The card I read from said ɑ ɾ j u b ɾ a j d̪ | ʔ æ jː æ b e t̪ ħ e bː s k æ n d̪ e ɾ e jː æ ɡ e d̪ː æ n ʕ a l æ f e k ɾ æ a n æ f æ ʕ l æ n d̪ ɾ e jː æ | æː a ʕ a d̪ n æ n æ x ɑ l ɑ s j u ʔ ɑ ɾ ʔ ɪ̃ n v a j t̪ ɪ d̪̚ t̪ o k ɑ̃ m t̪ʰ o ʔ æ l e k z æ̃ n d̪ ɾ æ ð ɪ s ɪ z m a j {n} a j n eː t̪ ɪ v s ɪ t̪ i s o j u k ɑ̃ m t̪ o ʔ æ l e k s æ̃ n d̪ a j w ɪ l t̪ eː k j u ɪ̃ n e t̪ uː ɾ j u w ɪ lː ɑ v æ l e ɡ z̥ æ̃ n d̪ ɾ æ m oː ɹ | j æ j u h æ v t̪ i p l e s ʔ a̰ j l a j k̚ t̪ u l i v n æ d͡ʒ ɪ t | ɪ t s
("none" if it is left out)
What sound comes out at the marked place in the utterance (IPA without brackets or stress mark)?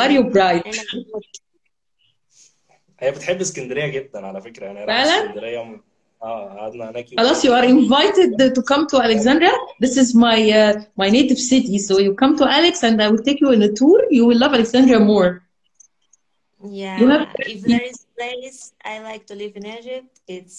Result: m